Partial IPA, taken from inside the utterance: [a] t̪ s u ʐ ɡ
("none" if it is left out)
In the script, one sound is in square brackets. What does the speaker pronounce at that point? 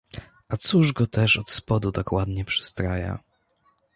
a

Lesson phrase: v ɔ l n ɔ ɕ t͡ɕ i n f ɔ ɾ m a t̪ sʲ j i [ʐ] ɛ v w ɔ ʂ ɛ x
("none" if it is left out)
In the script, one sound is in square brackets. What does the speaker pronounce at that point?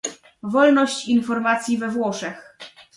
v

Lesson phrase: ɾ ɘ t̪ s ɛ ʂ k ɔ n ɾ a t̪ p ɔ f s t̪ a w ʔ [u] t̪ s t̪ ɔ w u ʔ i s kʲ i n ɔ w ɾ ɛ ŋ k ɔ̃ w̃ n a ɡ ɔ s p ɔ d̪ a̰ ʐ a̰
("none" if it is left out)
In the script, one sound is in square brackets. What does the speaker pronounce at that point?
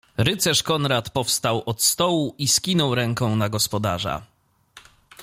ɔ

